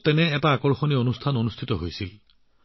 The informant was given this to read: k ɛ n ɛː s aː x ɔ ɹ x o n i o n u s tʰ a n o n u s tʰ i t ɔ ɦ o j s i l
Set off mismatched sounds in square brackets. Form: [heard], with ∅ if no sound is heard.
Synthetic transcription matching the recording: [t] ɛ n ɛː [t] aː [k] ɔ ɹ x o n i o n u s tʰ a n o n u s tʰ i t ɔ ɦ o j s i l